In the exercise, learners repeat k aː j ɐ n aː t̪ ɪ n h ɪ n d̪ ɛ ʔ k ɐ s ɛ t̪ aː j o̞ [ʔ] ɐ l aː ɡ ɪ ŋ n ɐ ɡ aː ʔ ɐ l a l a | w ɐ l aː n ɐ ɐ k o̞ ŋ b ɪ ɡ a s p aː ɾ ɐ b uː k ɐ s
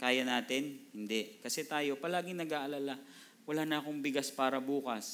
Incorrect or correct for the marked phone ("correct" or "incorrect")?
incorrect